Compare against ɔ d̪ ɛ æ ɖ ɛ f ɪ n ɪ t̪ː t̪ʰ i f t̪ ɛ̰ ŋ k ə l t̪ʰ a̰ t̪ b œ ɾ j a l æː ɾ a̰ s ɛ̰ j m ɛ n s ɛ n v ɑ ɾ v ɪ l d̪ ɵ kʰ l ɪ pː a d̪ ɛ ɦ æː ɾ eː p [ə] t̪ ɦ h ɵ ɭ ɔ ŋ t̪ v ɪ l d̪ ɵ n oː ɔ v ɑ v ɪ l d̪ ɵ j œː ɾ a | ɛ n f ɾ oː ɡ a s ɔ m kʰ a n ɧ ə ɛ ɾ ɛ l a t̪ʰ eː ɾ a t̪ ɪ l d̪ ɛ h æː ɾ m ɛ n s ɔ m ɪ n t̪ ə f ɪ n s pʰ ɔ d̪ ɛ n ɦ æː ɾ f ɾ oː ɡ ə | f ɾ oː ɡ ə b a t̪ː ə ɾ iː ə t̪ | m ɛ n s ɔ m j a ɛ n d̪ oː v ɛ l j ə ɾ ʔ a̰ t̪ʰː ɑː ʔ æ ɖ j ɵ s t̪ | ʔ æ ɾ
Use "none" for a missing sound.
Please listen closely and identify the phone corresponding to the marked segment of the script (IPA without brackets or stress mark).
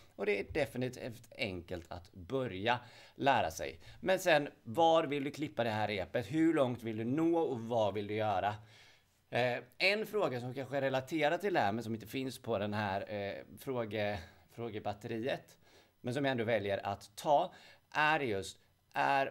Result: ə